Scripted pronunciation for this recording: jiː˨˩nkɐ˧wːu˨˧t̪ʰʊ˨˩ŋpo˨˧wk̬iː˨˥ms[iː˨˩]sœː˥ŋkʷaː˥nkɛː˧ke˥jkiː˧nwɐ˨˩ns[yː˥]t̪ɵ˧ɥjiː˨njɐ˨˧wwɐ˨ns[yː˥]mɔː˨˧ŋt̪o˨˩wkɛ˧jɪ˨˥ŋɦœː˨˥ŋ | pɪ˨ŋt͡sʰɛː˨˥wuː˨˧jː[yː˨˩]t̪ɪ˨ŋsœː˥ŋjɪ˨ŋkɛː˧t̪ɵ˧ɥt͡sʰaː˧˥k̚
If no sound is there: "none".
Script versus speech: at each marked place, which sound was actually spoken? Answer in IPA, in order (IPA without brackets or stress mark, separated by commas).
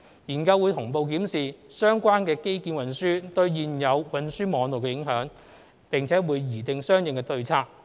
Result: iː˨˩, yː˥, yː˥, iː˨˩